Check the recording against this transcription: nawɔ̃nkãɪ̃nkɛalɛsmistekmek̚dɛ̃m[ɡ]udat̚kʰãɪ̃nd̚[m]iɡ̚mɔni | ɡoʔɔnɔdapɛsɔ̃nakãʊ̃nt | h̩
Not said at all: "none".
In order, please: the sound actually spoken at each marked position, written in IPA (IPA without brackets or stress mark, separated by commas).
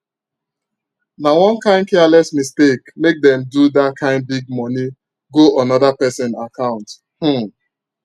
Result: d, b